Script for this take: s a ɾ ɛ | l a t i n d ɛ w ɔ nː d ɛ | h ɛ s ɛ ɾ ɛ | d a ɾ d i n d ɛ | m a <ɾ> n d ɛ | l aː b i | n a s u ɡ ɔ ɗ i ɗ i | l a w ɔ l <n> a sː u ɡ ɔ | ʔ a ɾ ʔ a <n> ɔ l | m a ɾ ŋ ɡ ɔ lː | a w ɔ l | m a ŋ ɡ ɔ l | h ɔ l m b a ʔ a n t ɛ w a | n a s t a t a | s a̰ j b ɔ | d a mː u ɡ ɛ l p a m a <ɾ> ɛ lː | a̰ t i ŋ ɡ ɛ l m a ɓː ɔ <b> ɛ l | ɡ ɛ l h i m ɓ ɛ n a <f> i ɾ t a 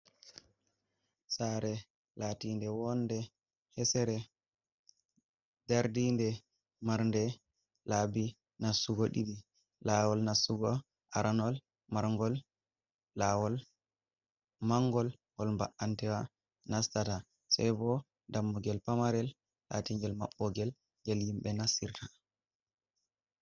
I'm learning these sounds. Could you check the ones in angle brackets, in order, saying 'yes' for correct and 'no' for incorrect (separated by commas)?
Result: yes, yes, yes, yes, no, no